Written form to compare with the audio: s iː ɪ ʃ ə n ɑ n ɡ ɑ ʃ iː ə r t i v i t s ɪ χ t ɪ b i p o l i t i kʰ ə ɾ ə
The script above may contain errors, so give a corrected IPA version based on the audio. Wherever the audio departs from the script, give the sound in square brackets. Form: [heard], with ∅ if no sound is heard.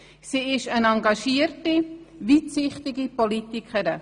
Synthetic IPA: s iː ɪ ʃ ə n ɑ [ŋ] ɡ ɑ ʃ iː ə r t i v i t s ɪ χ t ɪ [ɡ] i p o l i t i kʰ ə ɾ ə

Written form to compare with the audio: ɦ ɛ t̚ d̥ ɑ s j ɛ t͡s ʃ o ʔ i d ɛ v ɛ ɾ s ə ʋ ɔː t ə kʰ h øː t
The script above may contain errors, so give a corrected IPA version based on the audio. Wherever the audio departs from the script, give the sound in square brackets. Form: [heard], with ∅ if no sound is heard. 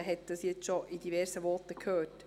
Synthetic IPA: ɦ ɛ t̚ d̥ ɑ s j ɛ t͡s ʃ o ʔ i d [i] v ɛ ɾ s ə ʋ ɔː t ə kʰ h øː t

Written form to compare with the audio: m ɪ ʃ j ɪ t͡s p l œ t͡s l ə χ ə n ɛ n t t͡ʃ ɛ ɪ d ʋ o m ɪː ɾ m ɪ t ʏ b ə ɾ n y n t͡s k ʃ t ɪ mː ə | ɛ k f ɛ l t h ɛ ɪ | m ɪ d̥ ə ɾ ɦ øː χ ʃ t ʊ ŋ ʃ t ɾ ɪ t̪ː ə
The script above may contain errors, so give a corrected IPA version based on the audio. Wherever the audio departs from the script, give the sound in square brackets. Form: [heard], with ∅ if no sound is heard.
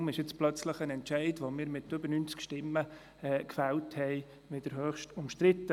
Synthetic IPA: m ɪ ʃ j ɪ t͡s p l œ t͡s l ə χ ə n ɛ n t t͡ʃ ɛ ɪ d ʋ o m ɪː ɾ m ɪ t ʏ b ə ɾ n y n t͡s k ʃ t ɪ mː ə | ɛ k f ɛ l t h ɛ ɪ | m ɪ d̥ ə ɾ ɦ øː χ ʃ t ʊ [m] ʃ t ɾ ɪ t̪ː ə

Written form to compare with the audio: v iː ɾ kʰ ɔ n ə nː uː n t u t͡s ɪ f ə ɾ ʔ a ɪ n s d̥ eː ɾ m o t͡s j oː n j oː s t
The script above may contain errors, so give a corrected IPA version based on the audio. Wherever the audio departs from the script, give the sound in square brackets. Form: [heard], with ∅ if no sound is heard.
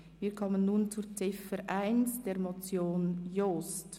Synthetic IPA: v iː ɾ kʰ ɔ [m] ə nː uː n [t͡s] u t͡s ɪ f ə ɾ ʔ a ɪ n s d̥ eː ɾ m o t͡s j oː n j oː s t

